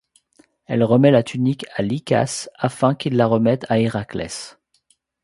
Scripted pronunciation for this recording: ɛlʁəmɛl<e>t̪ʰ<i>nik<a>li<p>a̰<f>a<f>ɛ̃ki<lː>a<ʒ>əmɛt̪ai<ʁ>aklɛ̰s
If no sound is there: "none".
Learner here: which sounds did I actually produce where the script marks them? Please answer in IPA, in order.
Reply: a, y, a, k, s, f, lː, ʁ, ʁ

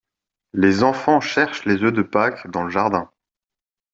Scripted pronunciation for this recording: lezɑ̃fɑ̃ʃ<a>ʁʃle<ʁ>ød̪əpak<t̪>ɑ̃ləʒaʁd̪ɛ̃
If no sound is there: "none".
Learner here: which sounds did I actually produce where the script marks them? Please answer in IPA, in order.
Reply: ɛ, z, d̪

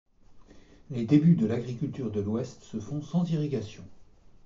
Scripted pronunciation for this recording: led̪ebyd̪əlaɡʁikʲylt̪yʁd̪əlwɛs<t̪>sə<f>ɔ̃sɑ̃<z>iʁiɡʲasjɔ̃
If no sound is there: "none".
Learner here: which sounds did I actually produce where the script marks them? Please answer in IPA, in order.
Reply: t̪, f, z

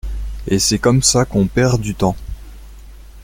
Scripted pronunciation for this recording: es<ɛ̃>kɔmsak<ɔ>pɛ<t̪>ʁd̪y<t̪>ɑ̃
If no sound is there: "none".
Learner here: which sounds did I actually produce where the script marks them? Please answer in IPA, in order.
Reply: ɛ, ɔ̃, none, t̪

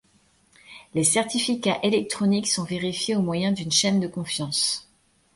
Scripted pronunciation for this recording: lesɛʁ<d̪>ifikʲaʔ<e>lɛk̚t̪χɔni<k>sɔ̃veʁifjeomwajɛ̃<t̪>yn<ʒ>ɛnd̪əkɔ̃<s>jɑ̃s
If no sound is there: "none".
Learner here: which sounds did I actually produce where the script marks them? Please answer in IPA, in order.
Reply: t̪, e, k, d̪, ʃ, f

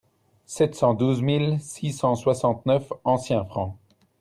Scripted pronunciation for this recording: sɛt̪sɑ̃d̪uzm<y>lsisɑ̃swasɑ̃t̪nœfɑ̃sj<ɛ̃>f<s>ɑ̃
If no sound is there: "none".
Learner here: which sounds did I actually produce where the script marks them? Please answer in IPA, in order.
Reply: i, ɛ̃, χ

